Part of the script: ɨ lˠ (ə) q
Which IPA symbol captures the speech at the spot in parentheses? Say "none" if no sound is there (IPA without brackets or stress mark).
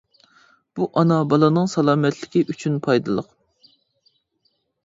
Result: ə